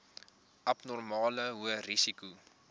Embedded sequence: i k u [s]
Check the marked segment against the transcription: incorrect: none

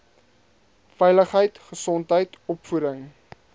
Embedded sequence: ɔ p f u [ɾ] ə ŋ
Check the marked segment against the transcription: correct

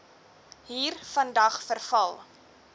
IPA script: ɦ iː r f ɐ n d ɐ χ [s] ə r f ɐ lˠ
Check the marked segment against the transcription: incorrect: f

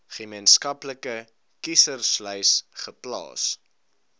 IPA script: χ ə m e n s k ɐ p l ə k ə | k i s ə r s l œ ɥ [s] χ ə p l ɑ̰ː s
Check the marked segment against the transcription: correct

